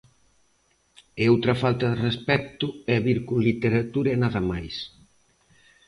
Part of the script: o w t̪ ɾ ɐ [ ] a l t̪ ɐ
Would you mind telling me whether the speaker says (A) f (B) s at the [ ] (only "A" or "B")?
A